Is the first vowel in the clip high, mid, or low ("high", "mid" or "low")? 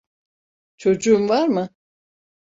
mid